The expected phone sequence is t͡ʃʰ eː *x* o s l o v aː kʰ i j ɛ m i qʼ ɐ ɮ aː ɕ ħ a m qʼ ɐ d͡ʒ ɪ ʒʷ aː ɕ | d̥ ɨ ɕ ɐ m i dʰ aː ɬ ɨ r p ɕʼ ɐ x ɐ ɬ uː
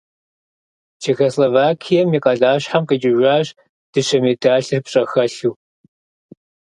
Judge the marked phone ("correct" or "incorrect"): correct